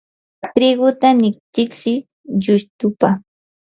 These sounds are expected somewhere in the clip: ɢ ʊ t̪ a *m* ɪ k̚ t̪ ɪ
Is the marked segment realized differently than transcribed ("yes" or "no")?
yes